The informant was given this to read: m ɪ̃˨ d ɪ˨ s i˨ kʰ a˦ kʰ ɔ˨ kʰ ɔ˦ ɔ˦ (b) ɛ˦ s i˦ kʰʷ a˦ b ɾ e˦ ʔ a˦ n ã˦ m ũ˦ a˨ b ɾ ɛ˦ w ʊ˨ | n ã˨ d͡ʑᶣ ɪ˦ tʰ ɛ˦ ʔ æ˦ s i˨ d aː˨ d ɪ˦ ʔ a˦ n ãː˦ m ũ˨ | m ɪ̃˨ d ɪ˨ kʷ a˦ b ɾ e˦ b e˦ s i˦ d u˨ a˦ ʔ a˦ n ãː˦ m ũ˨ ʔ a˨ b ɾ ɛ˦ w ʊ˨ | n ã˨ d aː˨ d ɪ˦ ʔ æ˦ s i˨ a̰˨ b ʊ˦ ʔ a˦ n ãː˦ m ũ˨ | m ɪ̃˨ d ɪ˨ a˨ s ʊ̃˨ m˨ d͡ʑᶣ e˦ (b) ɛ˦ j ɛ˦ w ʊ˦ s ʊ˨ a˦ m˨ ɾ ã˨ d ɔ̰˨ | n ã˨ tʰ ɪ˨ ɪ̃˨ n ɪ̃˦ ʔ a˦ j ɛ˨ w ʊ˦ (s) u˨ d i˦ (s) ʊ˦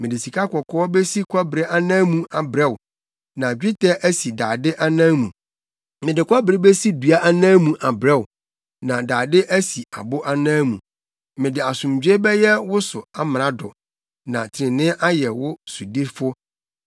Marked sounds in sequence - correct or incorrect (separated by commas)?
correct, correct, correct, incorrect